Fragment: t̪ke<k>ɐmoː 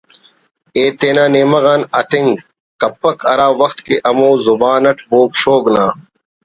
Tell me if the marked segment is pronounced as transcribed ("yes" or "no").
no